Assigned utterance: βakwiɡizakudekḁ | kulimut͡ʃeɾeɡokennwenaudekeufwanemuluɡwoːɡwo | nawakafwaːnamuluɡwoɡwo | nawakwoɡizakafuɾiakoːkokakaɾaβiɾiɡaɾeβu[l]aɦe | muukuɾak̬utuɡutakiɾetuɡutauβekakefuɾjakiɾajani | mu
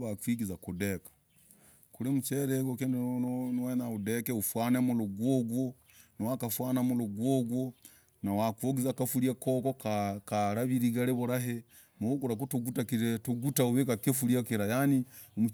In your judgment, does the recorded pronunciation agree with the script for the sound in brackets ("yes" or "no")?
no